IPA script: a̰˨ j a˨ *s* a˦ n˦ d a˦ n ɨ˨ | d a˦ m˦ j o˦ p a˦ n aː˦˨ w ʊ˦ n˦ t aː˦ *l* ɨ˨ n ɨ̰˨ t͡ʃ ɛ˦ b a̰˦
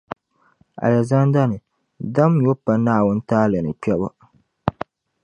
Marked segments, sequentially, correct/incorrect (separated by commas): incorrect, correct